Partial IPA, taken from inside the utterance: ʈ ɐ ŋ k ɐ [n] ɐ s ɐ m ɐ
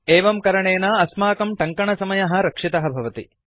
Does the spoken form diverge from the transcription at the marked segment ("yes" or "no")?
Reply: yes